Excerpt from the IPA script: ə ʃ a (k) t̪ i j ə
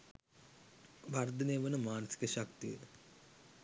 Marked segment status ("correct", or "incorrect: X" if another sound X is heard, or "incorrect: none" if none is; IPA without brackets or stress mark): correct